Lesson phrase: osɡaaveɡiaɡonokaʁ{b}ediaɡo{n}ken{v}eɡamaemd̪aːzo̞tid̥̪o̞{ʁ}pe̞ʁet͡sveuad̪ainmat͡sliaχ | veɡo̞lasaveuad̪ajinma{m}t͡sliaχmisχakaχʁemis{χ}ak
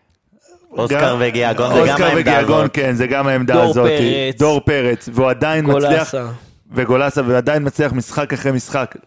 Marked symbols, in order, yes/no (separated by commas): no, yes, no, yes, no, yes